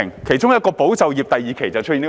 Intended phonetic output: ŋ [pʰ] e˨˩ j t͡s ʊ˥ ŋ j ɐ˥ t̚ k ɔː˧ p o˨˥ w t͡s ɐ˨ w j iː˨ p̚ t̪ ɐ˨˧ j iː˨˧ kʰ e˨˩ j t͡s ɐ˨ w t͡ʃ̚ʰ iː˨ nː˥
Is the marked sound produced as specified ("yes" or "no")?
no